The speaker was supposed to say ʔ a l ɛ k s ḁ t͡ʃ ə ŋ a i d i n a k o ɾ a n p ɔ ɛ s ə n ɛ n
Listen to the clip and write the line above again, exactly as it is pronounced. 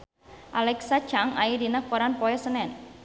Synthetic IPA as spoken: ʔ a l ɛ k s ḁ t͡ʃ a ŋ a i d i n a k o ɾ a n p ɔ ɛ s ə n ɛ n

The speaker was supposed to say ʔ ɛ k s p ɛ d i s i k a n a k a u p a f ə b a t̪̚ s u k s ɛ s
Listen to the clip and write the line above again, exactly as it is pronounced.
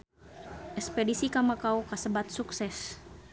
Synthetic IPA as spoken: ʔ ɛ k s p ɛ d i s i k a m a k a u k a s ə b a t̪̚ s u k s ɛ s

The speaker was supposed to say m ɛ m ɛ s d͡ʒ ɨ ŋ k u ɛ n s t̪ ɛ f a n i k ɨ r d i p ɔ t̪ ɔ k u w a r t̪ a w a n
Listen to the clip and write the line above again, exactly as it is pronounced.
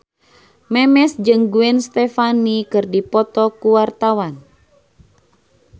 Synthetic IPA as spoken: m ɛ m ɛ s d͡ʒ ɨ ŋ ɡ u ɛ n s t̪ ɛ f a n i k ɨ r d i p ɔ t̪ ɔ k u w a r t̪ a w a n

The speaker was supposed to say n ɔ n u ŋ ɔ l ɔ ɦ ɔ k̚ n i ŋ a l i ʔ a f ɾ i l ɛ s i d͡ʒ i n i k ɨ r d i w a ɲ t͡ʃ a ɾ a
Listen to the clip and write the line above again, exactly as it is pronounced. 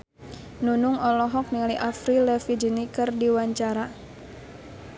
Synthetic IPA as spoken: n u n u ŋ ɔ l ɔ ɦ ɔ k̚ n i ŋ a l i ʔ a f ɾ i l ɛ f i d͡ʒ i n i k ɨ r d i w a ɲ t͡ʃ a ɾ a

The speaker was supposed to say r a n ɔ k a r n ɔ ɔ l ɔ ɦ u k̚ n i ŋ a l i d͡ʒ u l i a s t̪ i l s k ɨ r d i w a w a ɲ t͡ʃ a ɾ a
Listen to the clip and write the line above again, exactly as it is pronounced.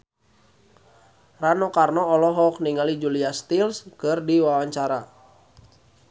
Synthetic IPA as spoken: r a n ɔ k a r n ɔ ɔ l ɔ ɦ ɔ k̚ n i ŋ a l i d͡ʒ u l i a s t̪ i l s k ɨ r d i w a w a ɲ t͡ʃ a ɾ a

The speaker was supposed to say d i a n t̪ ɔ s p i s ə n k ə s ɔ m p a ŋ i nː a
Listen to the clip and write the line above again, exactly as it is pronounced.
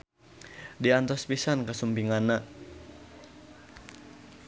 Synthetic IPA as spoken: d i a n t̪ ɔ s p i s a n k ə s u m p i ŋ a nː a

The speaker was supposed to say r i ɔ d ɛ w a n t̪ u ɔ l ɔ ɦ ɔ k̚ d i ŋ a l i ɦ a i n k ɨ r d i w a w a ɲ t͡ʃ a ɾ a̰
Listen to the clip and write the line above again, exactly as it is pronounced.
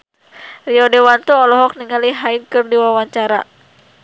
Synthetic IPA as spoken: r i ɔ d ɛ w a n t̪ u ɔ l ɔ ɦ ɔ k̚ n i ŋ a l i ɦ a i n k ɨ r d i w a w a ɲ t͡ʃ a ɾ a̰

